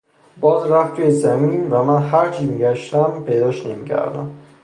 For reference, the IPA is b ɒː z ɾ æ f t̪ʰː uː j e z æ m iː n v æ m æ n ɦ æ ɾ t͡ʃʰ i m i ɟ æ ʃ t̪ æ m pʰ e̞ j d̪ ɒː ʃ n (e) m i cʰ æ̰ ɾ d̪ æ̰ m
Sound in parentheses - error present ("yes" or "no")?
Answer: no